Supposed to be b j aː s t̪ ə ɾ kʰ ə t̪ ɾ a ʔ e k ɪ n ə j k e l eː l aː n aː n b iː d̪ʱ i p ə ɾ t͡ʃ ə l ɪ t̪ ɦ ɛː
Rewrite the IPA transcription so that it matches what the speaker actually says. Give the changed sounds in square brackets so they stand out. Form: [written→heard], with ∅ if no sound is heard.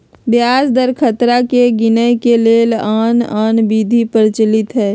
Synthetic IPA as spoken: b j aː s [t̪→d̪] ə ɾ kʰ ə t̪ ɾ a [ʔ→k] e [k→ɡ] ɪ n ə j k e l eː l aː n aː n b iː d̪ʱ i p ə ɾ t͡ʃ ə l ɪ t̪ ɦ ɛː